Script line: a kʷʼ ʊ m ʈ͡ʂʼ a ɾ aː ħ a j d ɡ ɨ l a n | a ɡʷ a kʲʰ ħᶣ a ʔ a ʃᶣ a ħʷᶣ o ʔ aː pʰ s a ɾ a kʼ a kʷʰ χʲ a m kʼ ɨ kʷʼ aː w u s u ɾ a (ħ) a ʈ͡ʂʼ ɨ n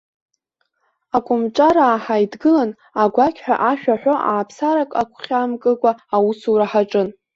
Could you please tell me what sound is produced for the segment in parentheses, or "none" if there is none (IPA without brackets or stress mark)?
ħ